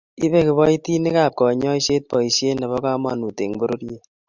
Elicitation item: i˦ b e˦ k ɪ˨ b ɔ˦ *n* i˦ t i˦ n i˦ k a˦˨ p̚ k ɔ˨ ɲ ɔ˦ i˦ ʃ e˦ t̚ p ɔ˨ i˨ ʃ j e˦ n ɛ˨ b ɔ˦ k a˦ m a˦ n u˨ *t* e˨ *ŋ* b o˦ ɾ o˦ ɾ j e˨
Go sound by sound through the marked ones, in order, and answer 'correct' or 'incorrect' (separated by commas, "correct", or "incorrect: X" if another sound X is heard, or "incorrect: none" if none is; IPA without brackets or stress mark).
incorrect: none, correct, correct